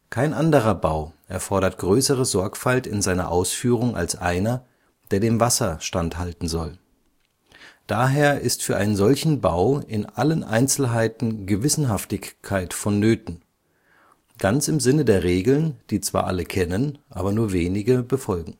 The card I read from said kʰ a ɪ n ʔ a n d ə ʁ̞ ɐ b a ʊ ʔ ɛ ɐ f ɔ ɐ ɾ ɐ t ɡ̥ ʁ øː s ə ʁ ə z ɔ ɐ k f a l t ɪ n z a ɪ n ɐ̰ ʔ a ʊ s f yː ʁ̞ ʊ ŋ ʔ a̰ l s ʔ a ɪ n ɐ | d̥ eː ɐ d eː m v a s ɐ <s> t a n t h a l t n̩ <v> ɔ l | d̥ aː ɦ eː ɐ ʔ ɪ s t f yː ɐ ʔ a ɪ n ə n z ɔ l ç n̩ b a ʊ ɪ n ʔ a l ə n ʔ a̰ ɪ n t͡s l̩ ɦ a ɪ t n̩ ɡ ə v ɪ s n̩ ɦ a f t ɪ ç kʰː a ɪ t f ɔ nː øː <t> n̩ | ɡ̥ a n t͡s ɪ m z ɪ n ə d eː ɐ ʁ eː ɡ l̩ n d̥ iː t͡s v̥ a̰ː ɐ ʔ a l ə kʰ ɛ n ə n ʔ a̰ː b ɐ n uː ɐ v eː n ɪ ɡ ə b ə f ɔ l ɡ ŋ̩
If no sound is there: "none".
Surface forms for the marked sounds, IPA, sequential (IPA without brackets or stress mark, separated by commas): ʃ, z, t